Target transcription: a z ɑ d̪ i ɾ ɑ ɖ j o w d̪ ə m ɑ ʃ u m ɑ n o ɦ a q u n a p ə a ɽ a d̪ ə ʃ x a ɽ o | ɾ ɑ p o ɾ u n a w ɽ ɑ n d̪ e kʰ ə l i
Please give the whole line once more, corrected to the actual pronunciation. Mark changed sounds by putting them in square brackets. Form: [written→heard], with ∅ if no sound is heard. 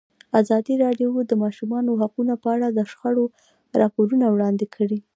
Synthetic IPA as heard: a z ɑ d̪ i ɾ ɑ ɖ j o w d̪ ə m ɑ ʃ u m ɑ n o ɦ a q u n a p ə a ɽ a d̪ ə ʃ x a ɽ o | ɾ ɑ p o ɾ u n a w ɽ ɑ n d̪ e kʰ ə [l→ɽ] i